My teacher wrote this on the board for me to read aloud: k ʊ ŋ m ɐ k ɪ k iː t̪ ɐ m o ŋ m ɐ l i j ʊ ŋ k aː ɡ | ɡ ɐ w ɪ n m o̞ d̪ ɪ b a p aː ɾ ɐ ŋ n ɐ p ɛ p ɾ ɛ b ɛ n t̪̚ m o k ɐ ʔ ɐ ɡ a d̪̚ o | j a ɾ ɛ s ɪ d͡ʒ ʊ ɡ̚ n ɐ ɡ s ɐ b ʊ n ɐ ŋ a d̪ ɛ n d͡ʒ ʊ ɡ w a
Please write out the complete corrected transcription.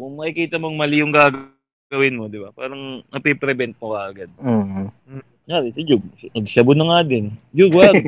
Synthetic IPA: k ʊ ŋ m ɐ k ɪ k iː t̪ ɐ m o ŋ m ɐ l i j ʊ ŋ ɡ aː ɡ | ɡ ɐ w ɪ n m o̞ d̪ ɪ b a p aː ɾ ɐ ŋ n ɐ p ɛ p ɾ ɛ b ɛ n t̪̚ m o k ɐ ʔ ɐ ɡ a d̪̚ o | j a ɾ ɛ s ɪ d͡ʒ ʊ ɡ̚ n ɐ ɡ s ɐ b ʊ n ɐ ŋ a d̪ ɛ n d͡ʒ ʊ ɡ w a